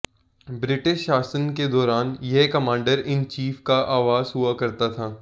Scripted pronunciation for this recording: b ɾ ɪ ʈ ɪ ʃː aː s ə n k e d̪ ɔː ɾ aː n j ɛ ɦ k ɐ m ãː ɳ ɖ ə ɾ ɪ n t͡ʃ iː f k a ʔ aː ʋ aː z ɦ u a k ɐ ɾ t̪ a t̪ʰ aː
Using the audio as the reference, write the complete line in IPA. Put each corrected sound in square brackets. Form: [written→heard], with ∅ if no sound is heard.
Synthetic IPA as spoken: b ɾ ɪ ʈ ɪ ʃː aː s ə n k e d̪ ɔː ɾ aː n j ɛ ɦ k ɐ m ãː ɳ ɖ ə ɾ ɪ n t͡ʃ iː f k a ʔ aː ʋ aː z ɦ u a k ɐ ɾ t̪ a t̪ʰ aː

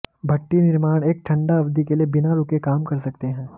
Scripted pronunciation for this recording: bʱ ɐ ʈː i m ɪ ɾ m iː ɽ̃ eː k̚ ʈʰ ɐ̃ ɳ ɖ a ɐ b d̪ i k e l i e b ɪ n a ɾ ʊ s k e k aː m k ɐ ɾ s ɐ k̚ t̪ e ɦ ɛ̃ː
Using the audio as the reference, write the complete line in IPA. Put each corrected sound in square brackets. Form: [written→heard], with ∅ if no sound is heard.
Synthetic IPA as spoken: bʱ ɐ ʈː i [m→n] ɪ ɾ m [iː→aː] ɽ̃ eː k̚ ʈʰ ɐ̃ ɳ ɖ a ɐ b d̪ i k e l i e b ɪ n a ɾ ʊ [s→∅] k e k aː m k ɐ ɾ s ɐ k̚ t̪ e ɦ ɛ̃ː

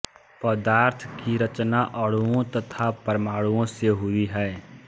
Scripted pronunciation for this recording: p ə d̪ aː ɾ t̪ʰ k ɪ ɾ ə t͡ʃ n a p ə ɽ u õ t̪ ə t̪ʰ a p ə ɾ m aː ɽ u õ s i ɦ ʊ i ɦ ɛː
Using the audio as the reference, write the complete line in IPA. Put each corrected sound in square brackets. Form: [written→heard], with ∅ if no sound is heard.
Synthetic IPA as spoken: p ə d̪ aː ɾ t̪ʰ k [ɪ→i] ɾ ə t͡ʃ n a [p→ʔ] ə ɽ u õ t̪ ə t̪ʰ a p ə ɾ m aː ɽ u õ s [i→e] ɦ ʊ i ɦ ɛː

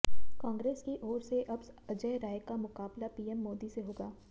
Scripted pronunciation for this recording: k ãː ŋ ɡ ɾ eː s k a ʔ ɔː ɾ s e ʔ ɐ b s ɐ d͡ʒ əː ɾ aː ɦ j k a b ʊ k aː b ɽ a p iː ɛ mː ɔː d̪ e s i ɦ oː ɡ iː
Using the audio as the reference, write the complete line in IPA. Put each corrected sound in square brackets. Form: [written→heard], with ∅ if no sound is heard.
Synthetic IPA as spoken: k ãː ŋ ɡ ɾ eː s k [a→i] ʔ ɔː ɾ s e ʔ ɐ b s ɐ d͡ʒ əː ɾ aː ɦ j k a [b→m] ʊ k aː b [ɽ→l] a p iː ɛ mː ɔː d̪ [e→i] s [i→e] ɦ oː ɡ [iː→aː]

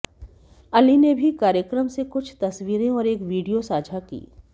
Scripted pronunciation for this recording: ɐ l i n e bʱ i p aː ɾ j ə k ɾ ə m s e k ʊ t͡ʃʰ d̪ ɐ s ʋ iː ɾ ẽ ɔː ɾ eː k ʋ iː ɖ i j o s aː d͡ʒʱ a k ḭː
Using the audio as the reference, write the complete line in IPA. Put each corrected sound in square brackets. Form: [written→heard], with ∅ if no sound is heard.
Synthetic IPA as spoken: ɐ l i n e bʱ i [p→k] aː ɾ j ə k ɾ ə m s e k ʊ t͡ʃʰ [d̪→t̪] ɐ s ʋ iː ɾ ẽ ɔː ɾ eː k ʋ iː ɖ i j o s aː d͡ʒʱ a k ḭː

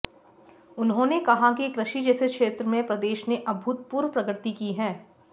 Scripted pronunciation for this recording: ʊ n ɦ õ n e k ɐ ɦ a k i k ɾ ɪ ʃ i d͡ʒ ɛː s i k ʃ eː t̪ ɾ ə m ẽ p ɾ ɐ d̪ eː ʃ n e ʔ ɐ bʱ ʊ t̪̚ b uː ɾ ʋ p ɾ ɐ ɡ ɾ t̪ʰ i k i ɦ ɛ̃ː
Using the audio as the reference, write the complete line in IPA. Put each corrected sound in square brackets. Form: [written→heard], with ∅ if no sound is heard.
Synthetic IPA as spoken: ʊ n ɦ õ n e k ɐ ɦ a k i k ɾ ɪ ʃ i d͡ʒ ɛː s [i→e] k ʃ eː t̪ ɾ ə m ẽ p ɾ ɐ d̪ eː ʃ n e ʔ ɐ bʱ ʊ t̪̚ [b→p] uː ɾ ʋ p ɾ ɐ ɡ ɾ [t̪ʰ→t̪] i k i ɦ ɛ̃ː

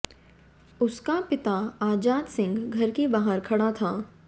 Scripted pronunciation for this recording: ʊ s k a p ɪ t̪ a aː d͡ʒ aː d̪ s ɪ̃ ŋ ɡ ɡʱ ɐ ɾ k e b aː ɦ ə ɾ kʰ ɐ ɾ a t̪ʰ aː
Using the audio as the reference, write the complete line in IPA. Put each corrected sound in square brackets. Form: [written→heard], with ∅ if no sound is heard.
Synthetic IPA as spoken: ʊ s k a p ɪ t̪ a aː d͡ʒ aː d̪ s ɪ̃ ŋ ɡ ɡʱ ɐ ɾ k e b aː ɦ ə ɾ kʰ ɐ [ɾ→ɽ] a t̪ʰ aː

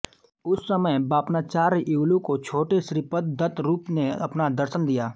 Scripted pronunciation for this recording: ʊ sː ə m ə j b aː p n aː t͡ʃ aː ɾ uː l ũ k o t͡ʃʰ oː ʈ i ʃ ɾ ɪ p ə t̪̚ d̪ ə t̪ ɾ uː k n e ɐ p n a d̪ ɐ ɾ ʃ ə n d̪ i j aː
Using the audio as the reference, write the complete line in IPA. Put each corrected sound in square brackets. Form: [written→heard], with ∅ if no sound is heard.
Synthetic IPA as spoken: ʊ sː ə m ə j b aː p n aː t͡ʃ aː ɾ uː l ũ k o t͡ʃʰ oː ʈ [i→e] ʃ ɾ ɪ p ə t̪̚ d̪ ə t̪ ɾ uː [k→p] n e ɐ p n a d̪ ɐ ɾ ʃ ə n d̪ i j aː

